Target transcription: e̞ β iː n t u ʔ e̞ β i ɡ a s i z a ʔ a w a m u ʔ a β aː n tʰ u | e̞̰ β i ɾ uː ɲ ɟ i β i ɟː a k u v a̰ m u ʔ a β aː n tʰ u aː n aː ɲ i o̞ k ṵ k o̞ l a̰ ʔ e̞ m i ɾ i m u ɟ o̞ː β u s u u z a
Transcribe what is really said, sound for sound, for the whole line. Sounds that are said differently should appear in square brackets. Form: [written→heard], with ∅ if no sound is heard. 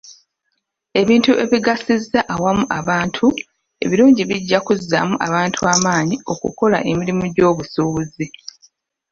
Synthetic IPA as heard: e̞ β iː n t u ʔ e̞ β i ɡ a s i z a ʔ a w a m u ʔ a β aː n tʰ u | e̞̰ β i ɾ uː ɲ ɟ i β i ɟː a k u [v→z] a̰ m u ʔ a β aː n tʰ u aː [n→m] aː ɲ i o̞ k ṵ k o̞ l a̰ ʔ e̞ m i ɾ i m u ɟ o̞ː β u s u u z [a→i]